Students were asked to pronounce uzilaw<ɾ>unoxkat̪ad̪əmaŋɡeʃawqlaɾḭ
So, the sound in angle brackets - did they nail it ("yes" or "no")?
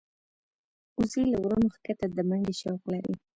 yes